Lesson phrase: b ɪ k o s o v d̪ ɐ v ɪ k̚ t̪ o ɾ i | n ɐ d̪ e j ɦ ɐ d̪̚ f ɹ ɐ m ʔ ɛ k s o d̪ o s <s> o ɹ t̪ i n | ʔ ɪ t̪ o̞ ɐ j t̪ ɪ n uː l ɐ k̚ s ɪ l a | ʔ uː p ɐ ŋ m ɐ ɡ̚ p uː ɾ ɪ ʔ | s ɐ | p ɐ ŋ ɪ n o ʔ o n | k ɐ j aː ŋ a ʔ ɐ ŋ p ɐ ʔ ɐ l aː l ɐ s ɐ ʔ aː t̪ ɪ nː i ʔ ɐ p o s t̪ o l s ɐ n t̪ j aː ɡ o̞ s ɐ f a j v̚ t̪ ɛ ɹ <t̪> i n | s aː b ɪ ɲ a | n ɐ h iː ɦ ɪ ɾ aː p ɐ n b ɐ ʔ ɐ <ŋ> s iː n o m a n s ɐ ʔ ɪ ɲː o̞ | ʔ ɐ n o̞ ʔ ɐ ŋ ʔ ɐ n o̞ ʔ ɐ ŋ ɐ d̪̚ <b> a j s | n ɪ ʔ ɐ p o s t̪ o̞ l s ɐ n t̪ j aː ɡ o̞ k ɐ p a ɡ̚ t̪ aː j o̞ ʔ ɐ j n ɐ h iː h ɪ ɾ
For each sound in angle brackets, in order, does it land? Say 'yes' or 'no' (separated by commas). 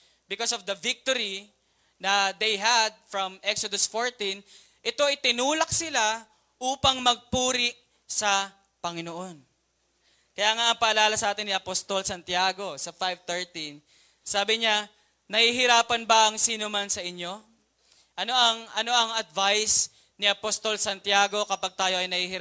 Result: no, yes, yes, no